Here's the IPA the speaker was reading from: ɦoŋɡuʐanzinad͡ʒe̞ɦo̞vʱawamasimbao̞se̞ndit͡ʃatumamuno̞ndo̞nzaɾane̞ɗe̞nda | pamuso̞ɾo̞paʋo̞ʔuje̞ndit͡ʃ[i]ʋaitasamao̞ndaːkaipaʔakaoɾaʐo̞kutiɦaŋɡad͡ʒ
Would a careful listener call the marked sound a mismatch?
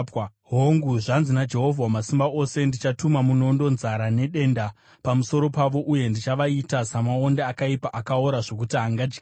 yes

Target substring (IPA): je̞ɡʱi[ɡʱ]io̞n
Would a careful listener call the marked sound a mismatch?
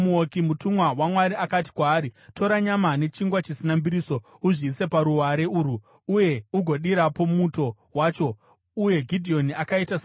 yes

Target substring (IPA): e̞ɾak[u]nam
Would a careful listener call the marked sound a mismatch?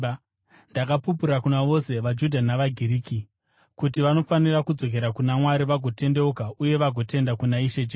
no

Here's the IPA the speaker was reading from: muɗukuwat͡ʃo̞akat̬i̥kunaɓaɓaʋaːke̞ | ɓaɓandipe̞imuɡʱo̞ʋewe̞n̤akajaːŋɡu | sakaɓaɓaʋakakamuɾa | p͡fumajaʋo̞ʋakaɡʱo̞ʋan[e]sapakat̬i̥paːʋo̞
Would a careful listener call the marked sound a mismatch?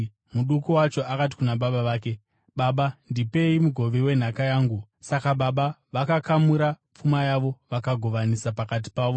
yes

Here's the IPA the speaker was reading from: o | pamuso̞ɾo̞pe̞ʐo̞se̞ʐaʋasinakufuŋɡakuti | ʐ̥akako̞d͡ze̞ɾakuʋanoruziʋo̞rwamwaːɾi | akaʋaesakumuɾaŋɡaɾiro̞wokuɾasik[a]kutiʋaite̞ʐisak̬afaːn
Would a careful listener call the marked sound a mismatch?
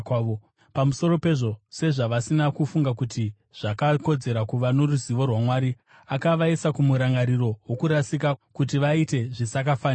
no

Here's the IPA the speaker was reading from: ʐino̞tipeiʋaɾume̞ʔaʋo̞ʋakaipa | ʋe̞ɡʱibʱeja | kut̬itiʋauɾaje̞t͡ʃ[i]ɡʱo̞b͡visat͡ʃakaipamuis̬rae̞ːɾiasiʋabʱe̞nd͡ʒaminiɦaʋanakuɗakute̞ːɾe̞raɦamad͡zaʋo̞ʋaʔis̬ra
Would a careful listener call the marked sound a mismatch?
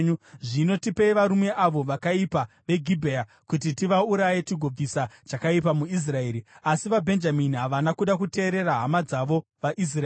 no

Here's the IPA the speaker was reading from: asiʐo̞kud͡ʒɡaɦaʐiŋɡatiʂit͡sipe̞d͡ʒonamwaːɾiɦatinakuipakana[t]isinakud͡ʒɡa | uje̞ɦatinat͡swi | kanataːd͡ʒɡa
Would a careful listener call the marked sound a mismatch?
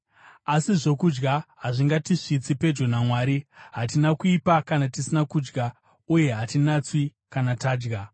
no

